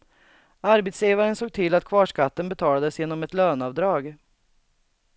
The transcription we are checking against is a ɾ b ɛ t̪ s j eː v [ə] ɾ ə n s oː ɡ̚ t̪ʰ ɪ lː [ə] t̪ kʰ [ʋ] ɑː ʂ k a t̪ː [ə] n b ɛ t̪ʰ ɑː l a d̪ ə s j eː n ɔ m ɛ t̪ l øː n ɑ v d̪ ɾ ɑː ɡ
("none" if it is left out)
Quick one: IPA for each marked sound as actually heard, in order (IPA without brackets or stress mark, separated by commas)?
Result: a, a, v, ə